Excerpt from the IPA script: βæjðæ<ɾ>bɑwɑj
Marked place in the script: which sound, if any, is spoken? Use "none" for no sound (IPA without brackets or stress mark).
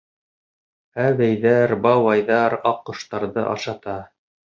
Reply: ɾ